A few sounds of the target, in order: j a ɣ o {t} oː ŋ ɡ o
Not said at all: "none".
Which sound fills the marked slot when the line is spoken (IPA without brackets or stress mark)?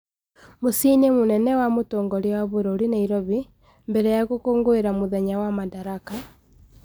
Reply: k